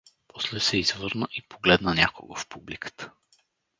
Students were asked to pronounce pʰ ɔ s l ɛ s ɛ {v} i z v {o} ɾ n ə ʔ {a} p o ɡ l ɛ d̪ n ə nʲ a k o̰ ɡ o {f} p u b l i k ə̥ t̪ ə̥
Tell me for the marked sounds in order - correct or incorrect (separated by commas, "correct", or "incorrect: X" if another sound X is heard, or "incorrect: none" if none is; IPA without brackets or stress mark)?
incorrect: none, incorrect: ɤ, incorrect: i, correct